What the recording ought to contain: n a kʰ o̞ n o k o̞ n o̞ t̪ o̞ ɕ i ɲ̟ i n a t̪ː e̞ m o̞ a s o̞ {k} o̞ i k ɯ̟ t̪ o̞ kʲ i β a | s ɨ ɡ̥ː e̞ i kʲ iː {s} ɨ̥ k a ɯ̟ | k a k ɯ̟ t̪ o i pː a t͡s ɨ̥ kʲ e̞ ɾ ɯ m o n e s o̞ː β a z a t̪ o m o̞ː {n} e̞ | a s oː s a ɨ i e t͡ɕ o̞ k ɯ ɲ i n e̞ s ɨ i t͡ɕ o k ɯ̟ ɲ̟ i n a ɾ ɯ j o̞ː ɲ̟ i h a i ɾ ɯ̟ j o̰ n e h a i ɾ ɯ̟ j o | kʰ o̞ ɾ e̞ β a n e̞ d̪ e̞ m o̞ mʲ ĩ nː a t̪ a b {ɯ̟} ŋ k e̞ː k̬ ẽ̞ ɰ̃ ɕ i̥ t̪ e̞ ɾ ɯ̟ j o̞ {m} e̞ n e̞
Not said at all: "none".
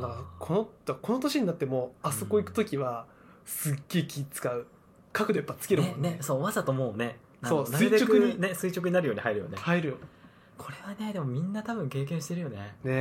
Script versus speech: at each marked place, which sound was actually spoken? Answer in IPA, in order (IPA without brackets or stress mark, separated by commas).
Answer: k, t͡s, n, ɯ̟̃, n